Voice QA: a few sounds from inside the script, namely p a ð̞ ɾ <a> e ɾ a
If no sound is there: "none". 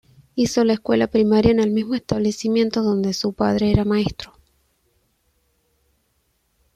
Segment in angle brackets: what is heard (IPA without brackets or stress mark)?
e